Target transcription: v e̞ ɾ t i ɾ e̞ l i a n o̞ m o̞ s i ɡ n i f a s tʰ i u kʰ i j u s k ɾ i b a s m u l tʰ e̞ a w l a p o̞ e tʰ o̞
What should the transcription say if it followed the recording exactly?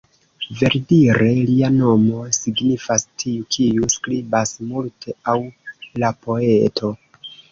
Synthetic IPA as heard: v e̞ ɾ d i ɾ e̞ l i a n o̞ m o̞ s i ɡ n i f a s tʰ i u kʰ i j u s k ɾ i b a s m u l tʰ e̞ a w l a p o̞ e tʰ o̞

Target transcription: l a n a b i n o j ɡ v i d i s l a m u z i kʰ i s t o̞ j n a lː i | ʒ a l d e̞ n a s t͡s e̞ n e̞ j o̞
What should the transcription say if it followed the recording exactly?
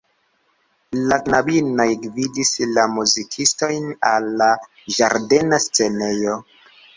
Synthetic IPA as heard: l a n a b i n o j ɡ v i d i s l a m u z i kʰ i s t o̞ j n a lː a | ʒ a ɾ d e̞ n a s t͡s e̞ n e̞ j o̞

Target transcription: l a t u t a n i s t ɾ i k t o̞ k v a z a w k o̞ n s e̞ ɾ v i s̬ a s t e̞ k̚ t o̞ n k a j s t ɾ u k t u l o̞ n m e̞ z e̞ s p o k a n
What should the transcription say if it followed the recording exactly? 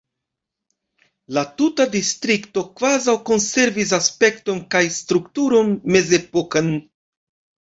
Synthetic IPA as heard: l a t u t a d i s t ɾ i k t o̞ k v a z a w k o̞ n s e̞ ɾ v i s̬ a s p e̞ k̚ t o̞ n k a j s t ɾ u k t u ɾ o̞ n m e̞ z e̞ p o k a n

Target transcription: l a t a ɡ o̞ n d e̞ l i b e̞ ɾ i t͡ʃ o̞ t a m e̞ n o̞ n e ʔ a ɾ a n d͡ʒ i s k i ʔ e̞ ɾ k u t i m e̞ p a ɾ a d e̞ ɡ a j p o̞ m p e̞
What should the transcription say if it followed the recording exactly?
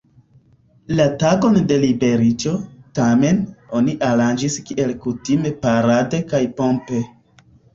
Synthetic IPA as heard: l a t a ɡ o̞ n d e̞ l i b e̞ ɾ i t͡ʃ o̞ t a m e̞ n o̞ n i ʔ a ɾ a n d͡ʒ i s k i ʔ e̞ l k u t i m e̞ p a ɾ a d e̞ k a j p o̞ m p e̞

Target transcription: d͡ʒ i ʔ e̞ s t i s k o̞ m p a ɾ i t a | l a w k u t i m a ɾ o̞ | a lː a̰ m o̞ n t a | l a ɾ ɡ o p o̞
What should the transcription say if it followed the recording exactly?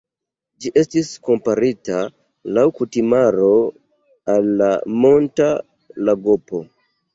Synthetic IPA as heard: d͡ʒ i ʔ e̞ s t i s k o̞ m p a ɾ i t a | l a w k u t i m a ɾ o̞ | a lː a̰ m o̞ n t a | l a ɡ o p o̞

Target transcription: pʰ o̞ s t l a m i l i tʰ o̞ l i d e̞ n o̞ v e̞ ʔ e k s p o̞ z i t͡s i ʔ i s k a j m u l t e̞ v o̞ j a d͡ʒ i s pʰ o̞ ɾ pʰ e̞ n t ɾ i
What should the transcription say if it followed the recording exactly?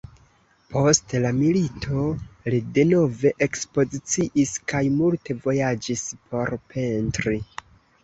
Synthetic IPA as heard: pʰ o̞ s t l a m i l i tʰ o̞ l i d e̞ n o̞ v e̞ ʔ e k s p o̞ z i t͡s i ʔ i s k a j m u l t e̞ v o̞ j a d͡ʒ i s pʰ o̞ ɾ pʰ e̞ n t ɾ i

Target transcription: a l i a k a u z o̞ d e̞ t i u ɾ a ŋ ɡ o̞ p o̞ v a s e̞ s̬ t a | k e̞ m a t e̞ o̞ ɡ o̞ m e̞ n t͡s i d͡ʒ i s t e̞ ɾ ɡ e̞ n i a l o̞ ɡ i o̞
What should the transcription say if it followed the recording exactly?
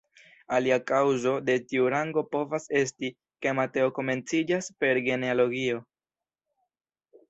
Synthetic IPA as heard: a l i a k a w z o̞ d e̞ t i u ɾ a ŋ ɡ o̞ p o̞ v a s e̞ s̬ t i | k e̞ m a t e̞ o̞ k o̞ m e̞ n t͡s i d͡ʒ a s p e̞ ɾ ɡ e̞ n e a l o̞ ɡ i o̞

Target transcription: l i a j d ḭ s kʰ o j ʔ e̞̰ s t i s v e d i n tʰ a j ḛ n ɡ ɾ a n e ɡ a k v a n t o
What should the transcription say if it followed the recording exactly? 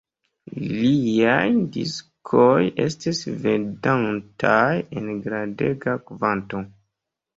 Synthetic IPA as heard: l i a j d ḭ s kʰ o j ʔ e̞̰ s t i s v e d a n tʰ a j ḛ n ɡ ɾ a d e ɡ a k v a n t o

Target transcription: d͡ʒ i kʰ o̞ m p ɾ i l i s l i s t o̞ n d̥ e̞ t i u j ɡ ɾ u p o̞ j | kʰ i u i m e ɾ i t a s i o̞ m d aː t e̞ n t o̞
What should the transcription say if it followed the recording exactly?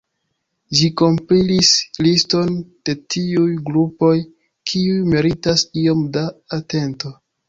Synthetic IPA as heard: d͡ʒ i k o̞ m p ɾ i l i s l i s t o̞ n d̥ e̞ t i u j ɡ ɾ u p o̞ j | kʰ i u j m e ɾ i t a s i o̞ m d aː t e̞ n t o̞

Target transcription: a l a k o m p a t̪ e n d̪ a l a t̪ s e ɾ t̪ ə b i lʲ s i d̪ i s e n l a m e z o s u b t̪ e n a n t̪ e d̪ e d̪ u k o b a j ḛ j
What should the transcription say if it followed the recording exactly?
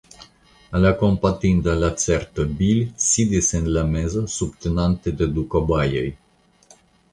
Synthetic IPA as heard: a l a k o m p a t̪ i n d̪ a l a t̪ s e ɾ t̪ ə b i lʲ s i d̪ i s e n l a m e z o s u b t̪ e n a n t̪ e d̪ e d̪ u k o b a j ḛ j

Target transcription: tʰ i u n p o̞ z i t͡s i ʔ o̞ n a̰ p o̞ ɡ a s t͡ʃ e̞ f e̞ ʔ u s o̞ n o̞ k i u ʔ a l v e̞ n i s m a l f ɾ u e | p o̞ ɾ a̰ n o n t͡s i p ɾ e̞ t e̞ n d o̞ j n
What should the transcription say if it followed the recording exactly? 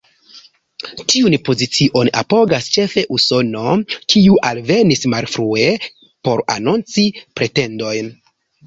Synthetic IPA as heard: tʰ i u n p o̞ z i t͡s i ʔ o̞ n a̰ p o̞ ɡ a s t͡ʃ e̞ f e̞ ʔ u s o̞ n o̞ k i u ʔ a l v e̞ n i s m a l f ɾ u e | p o̞ ɾ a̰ n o n t͡s i p ɾ e̞ t e̞ n d o̞ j n

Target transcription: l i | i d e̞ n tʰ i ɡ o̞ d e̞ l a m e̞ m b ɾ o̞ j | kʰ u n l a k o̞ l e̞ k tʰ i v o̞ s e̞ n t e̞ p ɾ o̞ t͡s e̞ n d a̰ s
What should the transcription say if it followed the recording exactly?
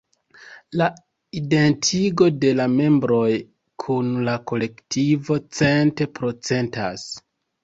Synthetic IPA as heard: l a | i d e̞ n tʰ i ɡ o̞ d e̞ l a m e̞ m b ɾ o̞ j | kʰ u n l a k o̞ l e̞ k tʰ i v o̞ t͡s e̞ n t e̞ p ɾ o̞ t͡s e̞ n t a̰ s

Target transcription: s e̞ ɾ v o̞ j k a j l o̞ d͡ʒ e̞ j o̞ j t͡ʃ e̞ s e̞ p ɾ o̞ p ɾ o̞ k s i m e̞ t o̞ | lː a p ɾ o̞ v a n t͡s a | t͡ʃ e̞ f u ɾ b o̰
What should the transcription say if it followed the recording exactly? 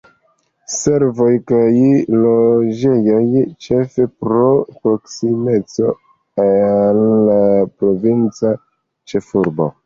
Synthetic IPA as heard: s e̞ ɾ v o̞ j k a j l o̞ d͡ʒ e̞ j o̞ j t͡ʃ e̞ f e̞ p ɾ o̞ p ɾ o̞ k s i m e̞ t͡s o̞ | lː a p ɾ o̞ v i n t͡s a | t͡ʃ e̞ f u ɾ b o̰

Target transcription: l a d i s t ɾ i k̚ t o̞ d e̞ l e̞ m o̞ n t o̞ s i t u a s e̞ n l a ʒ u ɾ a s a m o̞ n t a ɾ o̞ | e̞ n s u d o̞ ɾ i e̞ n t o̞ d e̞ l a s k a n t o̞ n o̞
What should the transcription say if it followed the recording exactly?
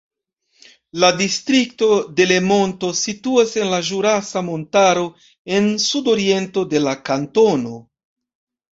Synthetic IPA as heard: l a d i s t ɾ i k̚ t o̞ d e̞ l e̞ m o̞ n t o̞ s i t u a s e̞ n l a ʒ u ɾ a s a m o̞ n t a ɾ o̞ | e̞ n s u d o̞ ɾ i e̞ n t o̞ d e̞ l a k a n t o̞ n o̞

